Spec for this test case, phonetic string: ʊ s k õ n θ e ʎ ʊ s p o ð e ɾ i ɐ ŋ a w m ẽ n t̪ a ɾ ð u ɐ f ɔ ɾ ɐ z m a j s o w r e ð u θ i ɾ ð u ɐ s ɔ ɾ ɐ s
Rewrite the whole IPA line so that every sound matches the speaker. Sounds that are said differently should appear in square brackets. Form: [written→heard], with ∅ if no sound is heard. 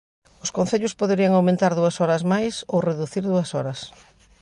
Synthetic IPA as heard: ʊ s k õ n θ e ʎ ʊ s p o ð e ɾ i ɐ ŋ a w m ẽ n t̪ a ɾ ð u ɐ [f→s] ɔ ɾ ɐ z m a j s o w r e ð u θ i ɾ ð u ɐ s ɔ ɾ ɐ s